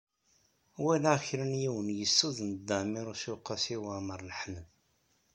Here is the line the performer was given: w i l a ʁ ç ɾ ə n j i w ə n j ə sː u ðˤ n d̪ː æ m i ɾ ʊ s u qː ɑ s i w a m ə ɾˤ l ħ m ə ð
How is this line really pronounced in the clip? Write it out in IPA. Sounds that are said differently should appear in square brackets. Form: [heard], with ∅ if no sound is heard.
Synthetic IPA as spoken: w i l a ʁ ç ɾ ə n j i w ə n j ə sː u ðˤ n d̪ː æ m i ɾ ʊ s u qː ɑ s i w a m ə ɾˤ l ħ m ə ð